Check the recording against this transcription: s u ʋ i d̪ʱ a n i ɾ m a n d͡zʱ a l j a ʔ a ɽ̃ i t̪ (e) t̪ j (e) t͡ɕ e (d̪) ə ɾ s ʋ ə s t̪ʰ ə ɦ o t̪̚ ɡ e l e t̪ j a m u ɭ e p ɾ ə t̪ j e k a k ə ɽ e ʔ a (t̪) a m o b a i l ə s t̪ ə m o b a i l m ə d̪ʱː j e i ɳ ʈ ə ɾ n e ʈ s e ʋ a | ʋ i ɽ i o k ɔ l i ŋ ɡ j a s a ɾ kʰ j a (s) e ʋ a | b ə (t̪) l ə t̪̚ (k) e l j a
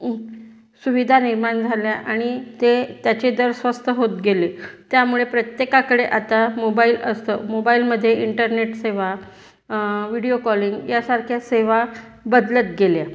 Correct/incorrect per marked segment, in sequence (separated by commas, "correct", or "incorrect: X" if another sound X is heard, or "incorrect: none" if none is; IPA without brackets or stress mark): correct, incorrect: a, correct, correct, correct, incorrect: d̪, incorrect: ɡ